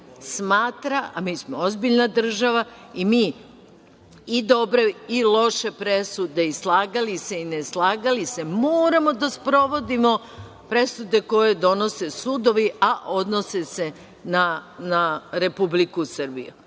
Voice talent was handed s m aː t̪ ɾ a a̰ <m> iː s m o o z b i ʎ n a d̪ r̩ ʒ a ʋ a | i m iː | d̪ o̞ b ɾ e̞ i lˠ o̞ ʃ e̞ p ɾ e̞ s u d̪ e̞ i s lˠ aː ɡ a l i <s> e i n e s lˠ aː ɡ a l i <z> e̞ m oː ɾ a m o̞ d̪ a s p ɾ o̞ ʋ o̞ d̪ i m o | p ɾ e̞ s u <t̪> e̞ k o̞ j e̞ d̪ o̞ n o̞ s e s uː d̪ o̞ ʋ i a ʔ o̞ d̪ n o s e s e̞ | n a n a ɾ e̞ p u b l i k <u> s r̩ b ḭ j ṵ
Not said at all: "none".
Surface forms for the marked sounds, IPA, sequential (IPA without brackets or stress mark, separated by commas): m, s, s, d̪, u